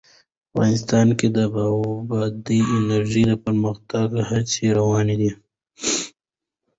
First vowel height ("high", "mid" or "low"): low